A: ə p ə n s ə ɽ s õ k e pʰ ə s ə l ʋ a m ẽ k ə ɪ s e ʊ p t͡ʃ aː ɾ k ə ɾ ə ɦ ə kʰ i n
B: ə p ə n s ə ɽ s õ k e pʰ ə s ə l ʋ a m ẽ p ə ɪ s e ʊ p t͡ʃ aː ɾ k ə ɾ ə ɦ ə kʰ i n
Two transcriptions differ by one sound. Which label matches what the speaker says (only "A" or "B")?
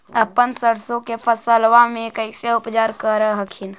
A